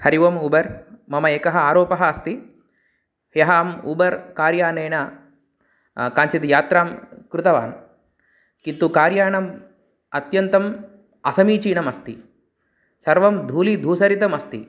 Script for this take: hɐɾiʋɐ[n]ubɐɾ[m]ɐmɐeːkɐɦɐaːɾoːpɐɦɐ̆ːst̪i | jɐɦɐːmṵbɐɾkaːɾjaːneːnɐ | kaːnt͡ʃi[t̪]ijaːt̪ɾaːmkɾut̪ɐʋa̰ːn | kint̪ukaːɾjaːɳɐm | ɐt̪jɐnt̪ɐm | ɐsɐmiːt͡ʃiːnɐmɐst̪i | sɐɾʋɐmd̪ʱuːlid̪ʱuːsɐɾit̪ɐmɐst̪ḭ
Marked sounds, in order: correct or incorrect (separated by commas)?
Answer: incorrect, correct, correct